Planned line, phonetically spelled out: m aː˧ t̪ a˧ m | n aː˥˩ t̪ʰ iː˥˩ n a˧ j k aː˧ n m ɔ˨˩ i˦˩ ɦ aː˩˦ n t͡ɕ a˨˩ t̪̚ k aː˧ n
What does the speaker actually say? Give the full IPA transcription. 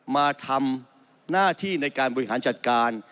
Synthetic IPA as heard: m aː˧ t̪ʰ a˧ m | n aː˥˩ t̪ʰ iː˥˩ n a˧ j k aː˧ n b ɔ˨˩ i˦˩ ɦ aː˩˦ n t͡ɕ a˨˩ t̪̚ k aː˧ n